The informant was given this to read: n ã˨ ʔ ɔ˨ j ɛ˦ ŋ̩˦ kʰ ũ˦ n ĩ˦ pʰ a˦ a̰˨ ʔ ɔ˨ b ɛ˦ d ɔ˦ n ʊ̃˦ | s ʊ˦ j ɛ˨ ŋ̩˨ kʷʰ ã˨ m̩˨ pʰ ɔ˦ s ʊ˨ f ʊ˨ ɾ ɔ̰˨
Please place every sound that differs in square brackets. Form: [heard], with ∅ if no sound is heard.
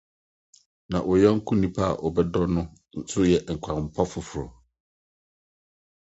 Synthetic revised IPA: n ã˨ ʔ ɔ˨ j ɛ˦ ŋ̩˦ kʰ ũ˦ n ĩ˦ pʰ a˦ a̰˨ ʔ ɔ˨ b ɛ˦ d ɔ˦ n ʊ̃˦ | s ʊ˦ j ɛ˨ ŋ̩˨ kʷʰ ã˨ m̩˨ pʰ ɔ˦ [f] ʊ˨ f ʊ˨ ɾ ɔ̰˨